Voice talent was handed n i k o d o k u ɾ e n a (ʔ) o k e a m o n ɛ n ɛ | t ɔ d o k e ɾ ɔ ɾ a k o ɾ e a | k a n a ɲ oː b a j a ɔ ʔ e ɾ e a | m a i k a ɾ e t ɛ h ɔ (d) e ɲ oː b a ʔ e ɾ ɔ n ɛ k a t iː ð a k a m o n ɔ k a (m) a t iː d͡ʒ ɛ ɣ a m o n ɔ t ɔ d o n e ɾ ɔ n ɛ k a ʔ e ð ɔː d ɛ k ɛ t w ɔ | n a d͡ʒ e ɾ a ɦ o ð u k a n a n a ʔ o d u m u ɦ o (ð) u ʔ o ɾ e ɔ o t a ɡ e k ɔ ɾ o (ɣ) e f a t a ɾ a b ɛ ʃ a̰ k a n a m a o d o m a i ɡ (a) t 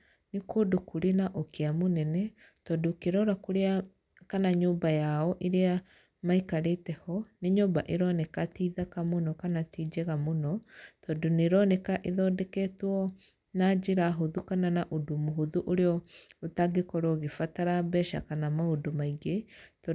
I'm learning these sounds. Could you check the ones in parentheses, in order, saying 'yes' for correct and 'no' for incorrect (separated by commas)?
yes, no, no, yes, yes, no